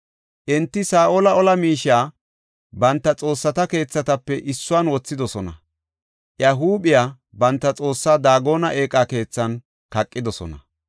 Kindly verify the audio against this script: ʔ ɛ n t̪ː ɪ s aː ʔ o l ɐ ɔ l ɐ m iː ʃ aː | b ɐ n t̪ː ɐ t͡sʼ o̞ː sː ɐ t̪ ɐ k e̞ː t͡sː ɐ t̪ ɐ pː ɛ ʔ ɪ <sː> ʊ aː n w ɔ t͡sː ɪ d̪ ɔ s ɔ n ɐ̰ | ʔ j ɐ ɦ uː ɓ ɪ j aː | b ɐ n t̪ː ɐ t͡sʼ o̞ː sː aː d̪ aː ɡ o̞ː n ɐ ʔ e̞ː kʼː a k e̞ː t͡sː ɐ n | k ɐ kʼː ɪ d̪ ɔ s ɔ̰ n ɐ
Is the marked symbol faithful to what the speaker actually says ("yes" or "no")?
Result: yes